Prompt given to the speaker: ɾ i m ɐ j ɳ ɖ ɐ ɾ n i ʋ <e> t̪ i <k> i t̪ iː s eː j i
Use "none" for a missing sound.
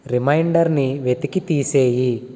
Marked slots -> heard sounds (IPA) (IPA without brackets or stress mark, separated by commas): e, k